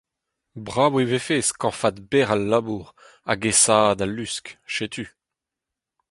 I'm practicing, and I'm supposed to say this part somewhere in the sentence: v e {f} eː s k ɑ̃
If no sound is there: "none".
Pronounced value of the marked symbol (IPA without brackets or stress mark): f